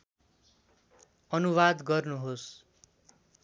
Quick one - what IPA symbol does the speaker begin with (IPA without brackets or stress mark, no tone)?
ʌ